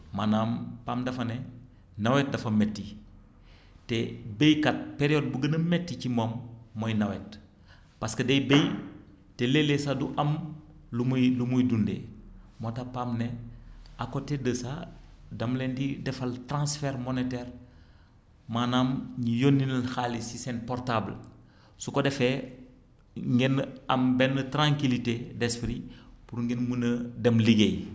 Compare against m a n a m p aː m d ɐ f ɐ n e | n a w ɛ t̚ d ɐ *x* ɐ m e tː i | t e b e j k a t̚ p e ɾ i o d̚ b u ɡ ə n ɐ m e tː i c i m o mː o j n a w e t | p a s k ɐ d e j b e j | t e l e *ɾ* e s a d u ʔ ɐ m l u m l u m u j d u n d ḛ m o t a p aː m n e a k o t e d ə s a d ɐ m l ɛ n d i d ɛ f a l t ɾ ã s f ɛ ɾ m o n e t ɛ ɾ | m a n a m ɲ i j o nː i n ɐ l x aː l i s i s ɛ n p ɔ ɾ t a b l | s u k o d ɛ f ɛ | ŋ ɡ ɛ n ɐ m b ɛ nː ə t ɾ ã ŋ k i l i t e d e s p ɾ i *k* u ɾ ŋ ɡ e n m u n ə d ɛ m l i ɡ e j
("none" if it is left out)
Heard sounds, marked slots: f, l, p

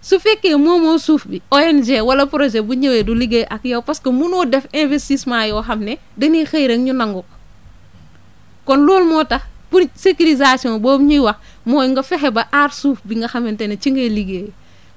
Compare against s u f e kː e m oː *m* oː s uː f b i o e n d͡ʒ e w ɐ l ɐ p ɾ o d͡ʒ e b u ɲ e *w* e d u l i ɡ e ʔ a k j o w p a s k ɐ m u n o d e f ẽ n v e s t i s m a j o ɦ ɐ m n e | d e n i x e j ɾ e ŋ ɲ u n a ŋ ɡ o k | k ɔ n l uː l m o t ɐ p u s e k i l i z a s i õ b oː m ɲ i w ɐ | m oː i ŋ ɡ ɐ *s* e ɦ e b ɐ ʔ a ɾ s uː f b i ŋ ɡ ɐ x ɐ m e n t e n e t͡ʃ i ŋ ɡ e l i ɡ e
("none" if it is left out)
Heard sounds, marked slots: m, w, f

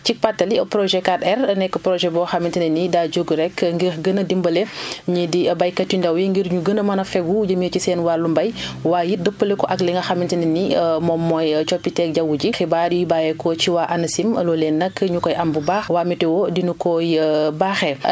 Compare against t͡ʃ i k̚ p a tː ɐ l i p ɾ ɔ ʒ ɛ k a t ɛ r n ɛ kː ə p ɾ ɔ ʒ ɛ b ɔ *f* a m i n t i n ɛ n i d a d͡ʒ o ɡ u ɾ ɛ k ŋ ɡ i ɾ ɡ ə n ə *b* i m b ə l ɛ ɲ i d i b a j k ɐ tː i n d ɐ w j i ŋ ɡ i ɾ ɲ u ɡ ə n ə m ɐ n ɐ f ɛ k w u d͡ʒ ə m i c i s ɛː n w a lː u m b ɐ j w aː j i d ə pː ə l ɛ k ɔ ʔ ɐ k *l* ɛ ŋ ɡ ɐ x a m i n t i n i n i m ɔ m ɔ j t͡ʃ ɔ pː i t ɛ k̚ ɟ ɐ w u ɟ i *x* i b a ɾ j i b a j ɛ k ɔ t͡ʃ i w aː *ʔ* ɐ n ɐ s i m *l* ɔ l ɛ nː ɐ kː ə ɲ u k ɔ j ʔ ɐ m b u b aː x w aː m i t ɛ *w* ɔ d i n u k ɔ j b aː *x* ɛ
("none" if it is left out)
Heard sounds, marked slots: x, d, l, x, ʔ, l, w, x

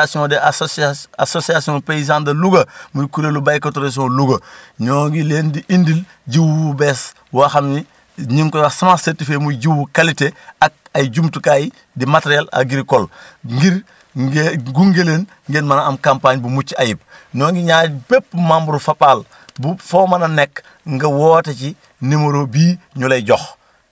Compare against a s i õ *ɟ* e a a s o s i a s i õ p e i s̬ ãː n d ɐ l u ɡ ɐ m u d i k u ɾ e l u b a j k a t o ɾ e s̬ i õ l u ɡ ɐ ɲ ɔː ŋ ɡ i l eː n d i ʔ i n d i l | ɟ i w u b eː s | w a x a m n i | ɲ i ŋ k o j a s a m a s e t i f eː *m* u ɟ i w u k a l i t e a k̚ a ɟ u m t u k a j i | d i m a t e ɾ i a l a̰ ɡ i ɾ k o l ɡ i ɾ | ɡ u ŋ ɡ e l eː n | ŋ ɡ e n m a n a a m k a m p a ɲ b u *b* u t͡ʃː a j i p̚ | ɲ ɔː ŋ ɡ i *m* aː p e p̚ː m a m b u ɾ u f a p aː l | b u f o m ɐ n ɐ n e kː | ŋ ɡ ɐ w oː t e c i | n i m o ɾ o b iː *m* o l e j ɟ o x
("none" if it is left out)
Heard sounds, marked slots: d, m, m, ɲ, ɲ

